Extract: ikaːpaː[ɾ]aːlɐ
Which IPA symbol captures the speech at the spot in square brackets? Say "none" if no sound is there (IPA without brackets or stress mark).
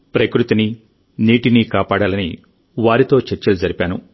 ɽ